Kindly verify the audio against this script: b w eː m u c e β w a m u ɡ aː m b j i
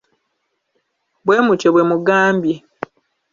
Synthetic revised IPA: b w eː m u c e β w e m u ɡ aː m b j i